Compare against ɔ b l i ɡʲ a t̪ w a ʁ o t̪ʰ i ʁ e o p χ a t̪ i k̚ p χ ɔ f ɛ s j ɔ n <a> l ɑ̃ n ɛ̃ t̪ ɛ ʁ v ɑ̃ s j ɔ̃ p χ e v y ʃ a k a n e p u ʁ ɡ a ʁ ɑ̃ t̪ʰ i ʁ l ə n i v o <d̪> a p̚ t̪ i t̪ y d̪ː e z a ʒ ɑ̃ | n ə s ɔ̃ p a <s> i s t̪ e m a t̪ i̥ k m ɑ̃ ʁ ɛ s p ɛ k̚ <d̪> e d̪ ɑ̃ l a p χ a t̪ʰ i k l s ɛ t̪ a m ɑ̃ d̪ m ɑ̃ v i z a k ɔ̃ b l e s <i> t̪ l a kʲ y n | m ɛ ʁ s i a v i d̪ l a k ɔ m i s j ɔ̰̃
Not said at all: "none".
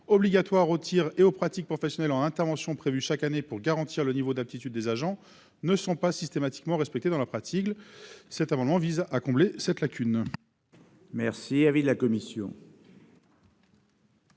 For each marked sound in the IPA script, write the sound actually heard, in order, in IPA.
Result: ɛ, d̪, s, t̪, ɛ

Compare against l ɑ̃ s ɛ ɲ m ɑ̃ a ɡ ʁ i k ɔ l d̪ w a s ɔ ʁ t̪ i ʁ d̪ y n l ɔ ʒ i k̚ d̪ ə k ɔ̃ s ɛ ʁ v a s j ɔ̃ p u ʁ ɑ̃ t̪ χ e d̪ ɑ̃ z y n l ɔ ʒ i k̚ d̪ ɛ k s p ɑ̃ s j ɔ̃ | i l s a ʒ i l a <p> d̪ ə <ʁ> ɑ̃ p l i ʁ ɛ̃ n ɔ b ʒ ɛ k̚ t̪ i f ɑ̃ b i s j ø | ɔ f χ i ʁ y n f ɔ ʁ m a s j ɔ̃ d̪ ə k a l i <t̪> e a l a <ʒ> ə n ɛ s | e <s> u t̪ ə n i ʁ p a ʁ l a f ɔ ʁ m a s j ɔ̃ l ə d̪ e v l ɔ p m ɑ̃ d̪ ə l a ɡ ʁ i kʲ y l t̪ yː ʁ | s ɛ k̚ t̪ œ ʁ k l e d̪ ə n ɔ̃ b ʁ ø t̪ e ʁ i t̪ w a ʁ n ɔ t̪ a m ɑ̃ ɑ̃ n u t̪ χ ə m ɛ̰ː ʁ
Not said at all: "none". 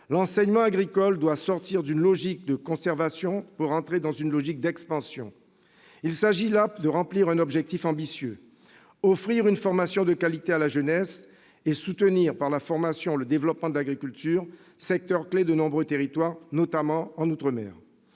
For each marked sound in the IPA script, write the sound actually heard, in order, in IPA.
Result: p, ʁ, t̪, ʒ, s

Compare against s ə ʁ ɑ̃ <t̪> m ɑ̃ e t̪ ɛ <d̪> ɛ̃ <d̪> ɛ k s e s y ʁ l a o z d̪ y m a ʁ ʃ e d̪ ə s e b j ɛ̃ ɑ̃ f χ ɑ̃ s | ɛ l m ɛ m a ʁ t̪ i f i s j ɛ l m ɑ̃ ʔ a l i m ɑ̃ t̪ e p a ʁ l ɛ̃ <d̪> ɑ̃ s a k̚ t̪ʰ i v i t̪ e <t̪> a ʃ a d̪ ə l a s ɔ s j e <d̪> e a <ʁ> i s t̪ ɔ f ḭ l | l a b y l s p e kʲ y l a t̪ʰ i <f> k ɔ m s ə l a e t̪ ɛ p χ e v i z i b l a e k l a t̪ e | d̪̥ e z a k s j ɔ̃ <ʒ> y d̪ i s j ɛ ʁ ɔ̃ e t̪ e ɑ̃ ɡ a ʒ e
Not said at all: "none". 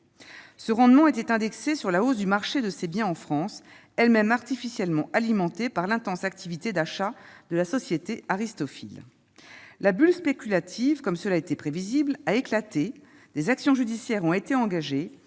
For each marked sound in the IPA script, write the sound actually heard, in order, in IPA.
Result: d̪, t̪, d̪, t̪, d̪, t̪, ʁ, v, ʒ

